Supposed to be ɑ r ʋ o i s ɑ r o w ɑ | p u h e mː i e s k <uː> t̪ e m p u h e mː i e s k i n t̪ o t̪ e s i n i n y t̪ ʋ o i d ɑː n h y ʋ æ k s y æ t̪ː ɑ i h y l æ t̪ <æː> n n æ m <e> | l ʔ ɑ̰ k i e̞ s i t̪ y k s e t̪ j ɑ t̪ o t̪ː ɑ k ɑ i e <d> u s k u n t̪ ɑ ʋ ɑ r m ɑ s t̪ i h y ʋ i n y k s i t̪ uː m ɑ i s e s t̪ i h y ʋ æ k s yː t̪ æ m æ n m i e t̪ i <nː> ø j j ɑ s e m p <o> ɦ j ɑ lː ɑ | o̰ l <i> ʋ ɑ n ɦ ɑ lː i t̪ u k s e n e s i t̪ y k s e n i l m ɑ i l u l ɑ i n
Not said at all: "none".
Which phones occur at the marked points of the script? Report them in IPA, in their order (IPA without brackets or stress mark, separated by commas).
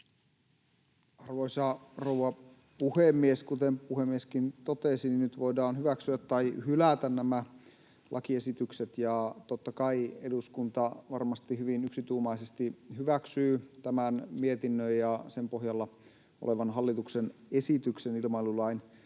u, æ, æ, d, nː, o, e